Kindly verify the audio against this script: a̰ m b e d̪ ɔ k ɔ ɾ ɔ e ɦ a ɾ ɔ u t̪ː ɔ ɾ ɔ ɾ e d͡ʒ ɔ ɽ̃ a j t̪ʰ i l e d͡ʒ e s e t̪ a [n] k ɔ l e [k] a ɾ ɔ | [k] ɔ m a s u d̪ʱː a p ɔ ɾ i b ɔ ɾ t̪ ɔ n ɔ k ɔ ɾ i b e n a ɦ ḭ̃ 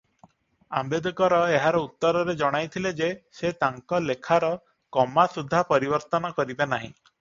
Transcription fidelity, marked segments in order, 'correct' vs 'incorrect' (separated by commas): incorrect, incorrect, correct